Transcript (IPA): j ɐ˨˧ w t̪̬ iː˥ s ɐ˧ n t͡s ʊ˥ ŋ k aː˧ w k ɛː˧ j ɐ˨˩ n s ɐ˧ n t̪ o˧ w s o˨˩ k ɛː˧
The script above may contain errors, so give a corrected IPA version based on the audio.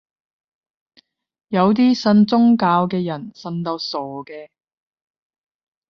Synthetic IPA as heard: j ɐ˨˧ w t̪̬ iː˥ s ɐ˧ n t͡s ʊ˥ ŋ k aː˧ w k ɛː˧ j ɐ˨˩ n s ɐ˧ n t̪ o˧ w s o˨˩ k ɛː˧